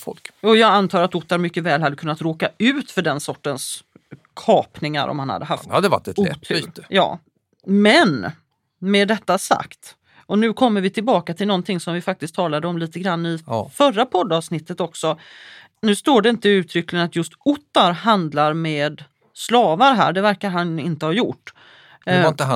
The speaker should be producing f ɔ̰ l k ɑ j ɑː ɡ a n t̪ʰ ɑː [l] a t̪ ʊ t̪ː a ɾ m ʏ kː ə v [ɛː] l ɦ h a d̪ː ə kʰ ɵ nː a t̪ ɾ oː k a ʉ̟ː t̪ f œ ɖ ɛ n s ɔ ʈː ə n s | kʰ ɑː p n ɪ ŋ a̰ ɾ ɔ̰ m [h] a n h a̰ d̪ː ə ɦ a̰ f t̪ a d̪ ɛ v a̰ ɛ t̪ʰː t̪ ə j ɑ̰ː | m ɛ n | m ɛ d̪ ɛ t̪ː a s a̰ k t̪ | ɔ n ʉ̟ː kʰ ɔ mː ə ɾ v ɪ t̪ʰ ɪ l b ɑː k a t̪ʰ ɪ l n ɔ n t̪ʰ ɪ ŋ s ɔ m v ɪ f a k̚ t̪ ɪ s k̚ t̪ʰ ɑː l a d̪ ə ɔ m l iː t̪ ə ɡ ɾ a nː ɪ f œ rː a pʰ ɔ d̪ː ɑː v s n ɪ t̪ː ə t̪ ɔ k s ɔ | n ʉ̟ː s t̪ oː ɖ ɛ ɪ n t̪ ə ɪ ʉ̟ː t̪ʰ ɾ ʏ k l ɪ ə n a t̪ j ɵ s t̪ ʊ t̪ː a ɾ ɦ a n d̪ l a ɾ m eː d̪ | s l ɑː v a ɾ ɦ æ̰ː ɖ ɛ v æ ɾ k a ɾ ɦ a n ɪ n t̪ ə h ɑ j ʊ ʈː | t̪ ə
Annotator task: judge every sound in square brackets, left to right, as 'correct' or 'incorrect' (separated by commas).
incorrect, correct, correct